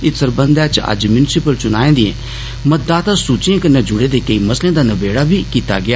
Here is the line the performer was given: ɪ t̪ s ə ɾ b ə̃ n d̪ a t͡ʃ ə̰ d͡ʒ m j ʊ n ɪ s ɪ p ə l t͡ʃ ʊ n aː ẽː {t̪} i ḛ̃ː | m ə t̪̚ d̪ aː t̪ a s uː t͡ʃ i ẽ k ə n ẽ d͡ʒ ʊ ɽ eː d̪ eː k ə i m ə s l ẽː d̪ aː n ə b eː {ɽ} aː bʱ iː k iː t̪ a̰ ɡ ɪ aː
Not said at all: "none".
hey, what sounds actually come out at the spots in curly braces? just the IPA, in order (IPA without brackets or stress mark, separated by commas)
d̪, ɽ